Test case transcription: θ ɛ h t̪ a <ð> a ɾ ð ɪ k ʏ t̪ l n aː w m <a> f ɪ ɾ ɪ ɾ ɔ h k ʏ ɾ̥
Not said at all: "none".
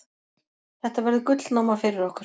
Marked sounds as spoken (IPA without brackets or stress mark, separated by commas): v, a